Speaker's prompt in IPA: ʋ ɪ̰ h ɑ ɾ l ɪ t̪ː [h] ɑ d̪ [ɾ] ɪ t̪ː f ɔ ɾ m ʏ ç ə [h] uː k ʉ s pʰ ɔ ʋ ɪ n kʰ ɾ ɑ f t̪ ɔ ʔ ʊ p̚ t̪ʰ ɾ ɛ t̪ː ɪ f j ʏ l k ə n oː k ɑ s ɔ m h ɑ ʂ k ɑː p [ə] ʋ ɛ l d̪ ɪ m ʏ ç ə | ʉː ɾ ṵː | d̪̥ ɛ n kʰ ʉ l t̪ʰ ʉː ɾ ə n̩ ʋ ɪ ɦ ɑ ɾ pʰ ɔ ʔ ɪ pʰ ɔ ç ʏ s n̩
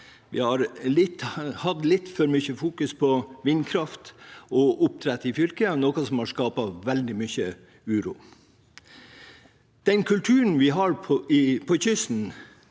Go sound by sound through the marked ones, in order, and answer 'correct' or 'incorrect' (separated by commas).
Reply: correct, incorrect, incorrect, incorrect